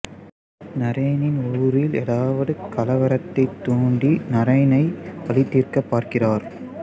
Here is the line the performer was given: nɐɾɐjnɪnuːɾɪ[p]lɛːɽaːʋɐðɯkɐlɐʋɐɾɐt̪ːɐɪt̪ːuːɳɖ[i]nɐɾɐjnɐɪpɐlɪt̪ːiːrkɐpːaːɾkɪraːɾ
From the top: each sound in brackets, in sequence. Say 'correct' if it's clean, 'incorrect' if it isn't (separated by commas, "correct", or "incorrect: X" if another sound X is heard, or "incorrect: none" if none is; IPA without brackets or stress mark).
incorrect: none, correct